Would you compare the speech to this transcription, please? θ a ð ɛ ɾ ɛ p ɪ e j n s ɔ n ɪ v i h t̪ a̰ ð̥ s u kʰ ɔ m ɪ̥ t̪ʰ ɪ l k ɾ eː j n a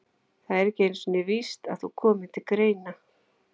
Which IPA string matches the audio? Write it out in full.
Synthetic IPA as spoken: θ a ð ɛ ɾ ɛ c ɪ e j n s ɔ n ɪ v i s t̪ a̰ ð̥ θ u kʰ ɔː m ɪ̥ t̪ʰ ɪ l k ɾ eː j n a